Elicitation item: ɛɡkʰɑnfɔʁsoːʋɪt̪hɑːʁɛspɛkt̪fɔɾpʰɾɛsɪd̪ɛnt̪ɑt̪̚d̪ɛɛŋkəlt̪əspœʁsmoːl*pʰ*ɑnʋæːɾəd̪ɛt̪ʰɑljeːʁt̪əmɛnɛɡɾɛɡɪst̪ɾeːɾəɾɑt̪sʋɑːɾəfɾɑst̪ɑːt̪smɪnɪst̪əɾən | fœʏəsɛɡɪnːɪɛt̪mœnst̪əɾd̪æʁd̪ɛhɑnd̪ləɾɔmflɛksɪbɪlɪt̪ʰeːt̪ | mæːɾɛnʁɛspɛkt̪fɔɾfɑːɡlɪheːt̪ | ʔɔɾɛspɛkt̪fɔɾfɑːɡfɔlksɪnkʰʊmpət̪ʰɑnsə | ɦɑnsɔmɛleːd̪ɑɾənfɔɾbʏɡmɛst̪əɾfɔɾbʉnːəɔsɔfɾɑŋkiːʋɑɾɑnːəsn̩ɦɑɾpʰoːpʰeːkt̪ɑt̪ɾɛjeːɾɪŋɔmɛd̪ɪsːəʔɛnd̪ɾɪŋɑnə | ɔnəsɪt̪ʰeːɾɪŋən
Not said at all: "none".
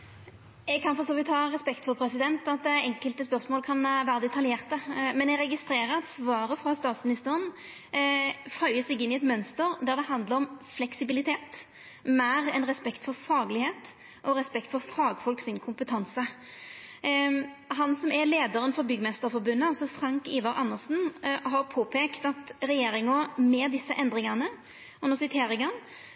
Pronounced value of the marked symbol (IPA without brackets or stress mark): kʰ